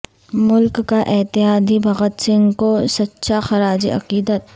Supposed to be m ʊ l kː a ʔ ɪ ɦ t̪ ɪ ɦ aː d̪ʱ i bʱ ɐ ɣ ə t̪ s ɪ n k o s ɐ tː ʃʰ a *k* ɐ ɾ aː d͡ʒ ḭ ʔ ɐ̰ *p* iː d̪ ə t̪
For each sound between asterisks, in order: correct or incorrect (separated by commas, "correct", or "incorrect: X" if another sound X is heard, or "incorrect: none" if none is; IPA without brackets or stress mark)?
incorrect: x, incorrect: q